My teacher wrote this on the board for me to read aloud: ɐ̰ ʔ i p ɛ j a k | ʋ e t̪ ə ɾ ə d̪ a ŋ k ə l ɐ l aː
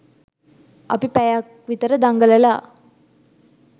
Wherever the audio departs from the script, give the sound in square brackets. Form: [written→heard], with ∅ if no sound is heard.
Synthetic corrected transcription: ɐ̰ [ʔ→p] i p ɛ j a k | ʋ [e→i] t̪ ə ɾ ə d̪ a ŋ [k→ɡ] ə l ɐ l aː

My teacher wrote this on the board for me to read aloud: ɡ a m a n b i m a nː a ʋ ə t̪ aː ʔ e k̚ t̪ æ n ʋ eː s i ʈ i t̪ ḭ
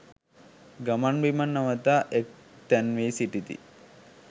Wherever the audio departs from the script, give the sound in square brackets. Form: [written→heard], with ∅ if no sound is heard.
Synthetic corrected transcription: ɡ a m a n b i m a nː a ʋ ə t̪ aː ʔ e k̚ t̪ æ n ʋ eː s i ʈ i t̪ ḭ

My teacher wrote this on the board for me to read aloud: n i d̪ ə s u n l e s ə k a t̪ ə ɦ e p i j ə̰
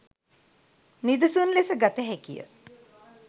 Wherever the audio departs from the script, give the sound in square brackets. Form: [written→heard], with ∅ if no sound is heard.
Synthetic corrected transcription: n i d̪ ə s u n l e s ə [k→ɡ] a t̪ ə ɦ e [p→k] i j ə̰

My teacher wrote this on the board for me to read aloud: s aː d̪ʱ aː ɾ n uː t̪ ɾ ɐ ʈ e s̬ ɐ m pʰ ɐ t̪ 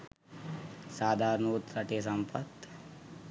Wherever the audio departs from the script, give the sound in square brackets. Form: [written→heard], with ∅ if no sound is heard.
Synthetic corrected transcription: s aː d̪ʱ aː ɾ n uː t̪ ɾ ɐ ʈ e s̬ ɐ m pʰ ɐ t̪

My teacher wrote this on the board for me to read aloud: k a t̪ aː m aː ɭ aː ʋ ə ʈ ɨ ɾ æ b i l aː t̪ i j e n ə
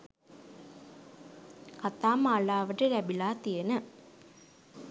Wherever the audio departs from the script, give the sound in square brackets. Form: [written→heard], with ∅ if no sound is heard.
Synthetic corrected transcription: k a t̪ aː m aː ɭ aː ʋ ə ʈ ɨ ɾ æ b i l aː t̪ i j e n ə

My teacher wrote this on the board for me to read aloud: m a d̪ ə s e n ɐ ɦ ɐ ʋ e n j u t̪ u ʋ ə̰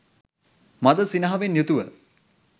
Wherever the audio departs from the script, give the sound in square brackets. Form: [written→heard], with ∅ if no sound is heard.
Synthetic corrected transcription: m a d̪ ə s [e→i] n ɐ ɦ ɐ ʋ e n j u t̪ u ʋ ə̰

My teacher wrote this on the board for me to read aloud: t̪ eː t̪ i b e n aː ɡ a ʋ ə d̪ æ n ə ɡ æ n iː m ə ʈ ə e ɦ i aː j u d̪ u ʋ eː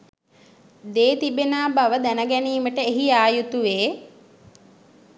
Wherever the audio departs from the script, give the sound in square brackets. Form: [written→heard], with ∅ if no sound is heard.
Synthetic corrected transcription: [t̪→d̪] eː t̪ i b e n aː [ɡ→b] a ʋ ə d̪ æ n ə ɡ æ n iː m ə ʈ ə e ɦ i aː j u [d̪→t̪] u ʋ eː

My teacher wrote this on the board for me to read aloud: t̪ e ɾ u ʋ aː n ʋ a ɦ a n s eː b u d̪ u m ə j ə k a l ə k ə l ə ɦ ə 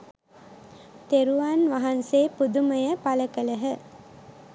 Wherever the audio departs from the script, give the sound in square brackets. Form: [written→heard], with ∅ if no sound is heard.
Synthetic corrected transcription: t̪ e ɾ u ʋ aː n ʋ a ɦ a n s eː [b→p] u d̪ u m ə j ə [k→p] a l ə k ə l ə ɦ ə

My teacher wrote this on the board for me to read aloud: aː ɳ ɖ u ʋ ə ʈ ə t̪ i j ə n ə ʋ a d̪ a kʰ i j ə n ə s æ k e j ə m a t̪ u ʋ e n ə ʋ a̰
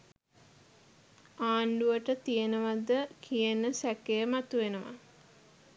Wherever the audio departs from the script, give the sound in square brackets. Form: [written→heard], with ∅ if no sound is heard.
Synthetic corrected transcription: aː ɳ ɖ u ʋ ə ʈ ə t̪ i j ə n ə ʋ a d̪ [a→ə] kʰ i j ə n ə s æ k e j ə m a t̪ u ʋ e n ə ʋ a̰

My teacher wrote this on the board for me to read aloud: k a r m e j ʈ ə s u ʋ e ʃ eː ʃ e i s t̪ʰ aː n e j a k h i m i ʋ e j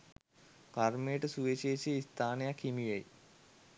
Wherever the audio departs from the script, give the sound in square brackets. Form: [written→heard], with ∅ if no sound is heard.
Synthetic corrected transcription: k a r m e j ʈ ə s u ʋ e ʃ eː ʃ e i s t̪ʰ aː n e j a k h i m i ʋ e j

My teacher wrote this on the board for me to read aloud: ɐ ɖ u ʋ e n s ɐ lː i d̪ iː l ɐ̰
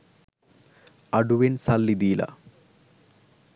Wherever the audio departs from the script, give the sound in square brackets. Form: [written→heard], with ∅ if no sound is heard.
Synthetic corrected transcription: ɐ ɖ u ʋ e n s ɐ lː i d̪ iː l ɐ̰

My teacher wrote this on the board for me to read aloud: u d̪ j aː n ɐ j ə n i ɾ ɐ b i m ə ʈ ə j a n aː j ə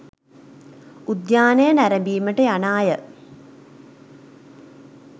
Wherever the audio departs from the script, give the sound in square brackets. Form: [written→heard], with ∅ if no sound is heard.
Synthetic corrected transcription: u d̪ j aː n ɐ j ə n [i→æ] ɾ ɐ b [i→iː] m ə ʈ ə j a n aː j ə

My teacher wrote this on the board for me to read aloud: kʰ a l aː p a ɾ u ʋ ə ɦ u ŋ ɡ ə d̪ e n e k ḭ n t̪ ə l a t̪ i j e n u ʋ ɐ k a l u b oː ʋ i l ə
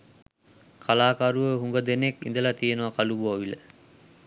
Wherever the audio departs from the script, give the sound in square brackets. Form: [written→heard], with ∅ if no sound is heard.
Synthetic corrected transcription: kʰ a l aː [p→k] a ɾ u ʋ ə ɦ u ŋ ɡ ə d̪ e n e k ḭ n [t̪→d̪] ə l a t̪ i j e n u ʋ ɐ k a l u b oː ʋ i l ə

